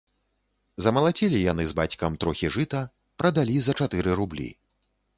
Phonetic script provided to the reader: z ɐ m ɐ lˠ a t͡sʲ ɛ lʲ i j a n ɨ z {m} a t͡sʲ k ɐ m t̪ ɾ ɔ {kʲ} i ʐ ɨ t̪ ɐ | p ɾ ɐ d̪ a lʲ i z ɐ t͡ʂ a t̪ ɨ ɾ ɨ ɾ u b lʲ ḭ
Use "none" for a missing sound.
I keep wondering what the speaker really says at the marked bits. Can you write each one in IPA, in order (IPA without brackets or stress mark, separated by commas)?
b, xʲ